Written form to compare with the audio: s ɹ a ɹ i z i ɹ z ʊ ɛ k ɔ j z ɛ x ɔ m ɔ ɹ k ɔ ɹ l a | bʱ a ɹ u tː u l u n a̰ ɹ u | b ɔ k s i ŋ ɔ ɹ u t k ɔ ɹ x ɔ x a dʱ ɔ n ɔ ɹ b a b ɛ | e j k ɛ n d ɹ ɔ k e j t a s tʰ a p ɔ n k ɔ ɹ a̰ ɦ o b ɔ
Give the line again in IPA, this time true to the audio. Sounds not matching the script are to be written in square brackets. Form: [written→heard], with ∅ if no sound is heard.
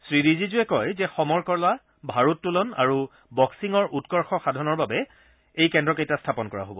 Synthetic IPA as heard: s ɹ [a→i] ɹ i z i [ɹ→∅] z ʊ ɛ k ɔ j z ɛ x ɔ m ɔ ɹ k ɔ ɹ l a | bʱ a ɹ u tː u l [u→ɔ] n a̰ ɹ u | b ɔ k s i ŋ ɔ ɹ u t k ɔ ɹ x ɔ x a dʱ ɔ n ɔ ɹ b a b ɛ | e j k ɛ n d ɹ ɔ k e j t a s tʰ a p ɔ n k ɔ ɹ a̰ ɦ o b ɔ